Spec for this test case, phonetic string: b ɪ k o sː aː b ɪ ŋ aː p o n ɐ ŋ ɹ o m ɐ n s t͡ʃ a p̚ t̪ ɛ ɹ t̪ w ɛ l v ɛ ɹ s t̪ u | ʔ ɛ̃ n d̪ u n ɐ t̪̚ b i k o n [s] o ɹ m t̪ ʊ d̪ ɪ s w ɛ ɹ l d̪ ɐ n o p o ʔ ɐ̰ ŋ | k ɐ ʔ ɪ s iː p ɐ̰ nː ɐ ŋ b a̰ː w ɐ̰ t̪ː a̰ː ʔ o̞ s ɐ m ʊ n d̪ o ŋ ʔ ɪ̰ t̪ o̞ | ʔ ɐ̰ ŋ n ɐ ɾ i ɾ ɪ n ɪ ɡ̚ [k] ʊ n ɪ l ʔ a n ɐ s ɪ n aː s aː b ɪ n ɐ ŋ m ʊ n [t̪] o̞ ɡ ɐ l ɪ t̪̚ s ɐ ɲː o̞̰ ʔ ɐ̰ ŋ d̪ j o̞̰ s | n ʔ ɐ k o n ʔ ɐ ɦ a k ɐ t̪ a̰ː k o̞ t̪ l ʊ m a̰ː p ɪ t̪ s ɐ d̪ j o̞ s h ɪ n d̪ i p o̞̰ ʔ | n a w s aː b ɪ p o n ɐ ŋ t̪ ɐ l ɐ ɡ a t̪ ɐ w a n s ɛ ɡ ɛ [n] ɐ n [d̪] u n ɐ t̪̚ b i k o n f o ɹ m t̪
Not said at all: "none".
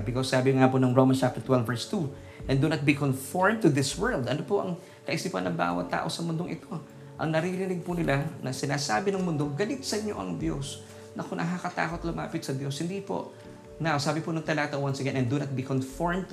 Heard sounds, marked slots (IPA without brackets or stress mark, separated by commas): f, p, d̪, n, d̪